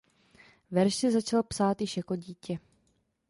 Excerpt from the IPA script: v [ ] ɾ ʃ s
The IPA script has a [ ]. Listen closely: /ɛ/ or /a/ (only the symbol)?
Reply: ɛ